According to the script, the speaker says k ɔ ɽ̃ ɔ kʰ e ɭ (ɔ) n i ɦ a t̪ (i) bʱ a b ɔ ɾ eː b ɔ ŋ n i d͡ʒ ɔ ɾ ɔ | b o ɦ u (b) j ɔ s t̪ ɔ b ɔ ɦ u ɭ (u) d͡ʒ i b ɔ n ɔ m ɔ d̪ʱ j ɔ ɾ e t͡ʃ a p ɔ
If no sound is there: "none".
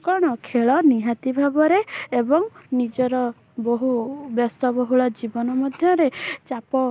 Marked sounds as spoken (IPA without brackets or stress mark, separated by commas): ɔ, i, b, ɔ